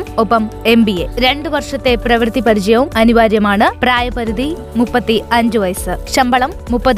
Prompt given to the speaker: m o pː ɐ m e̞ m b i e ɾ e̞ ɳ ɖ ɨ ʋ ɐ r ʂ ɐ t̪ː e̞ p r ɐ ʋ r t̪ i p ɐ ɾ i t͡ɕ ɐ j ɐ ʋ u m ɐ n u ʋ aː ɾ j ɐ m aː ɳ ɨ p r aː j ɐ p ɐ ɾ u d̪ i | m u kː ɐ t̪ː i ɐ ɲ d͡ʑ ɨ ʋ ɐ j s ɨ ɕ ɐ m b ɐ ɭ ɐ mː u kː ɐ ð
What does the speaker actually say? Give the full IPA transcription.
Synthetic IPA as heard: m o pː ɐ m e̞ m b i e ɾ e̞ ɳ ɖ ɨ ʋ ɐ r ʂ ɐ t̪ː e̞ p r ɐ ʋ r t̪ i p ɐ ɾ i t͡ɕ ɐ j ɐ ʋ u m ɐ n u ʋ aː ɾ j ɐ m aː ɳ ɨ p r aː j ɐ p ɐ ɾ u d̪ i | m u pː ɐ t̪ː i ɐ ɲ d͡ʑ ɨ ʋ ɐ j s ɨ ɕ ɐ m b ɐ ɭ ɐ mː u pː ɐ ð